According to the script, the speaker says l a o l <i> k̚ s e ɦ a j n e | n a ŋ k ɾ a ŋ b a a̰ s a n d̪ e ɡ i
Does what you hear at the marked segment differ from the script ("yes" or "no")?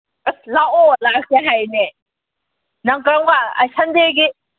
yes